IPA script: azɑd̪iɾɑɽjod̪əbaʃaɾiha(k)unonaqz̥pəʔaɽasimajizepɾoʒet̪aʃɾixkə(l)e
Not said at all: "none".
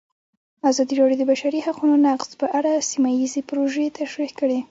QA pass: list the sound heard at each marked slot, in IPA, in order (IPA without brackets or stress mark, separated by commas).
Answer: q, ɽ